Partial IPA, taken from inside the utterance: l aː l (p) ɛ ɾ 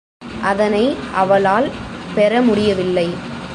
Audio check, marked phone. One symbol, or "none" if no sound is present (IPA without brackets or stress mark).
p